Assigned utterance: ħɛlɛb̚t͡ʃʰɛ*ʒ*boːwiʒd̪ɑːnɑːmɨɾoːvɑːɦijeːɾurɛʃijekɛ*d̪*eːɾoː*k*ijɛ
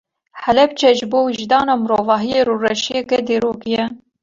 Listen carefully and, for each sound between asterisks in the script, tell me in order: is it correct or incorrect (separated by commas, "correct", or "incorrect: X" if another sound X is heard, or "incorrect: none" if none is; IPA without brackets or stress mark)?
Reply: correct, correct, correct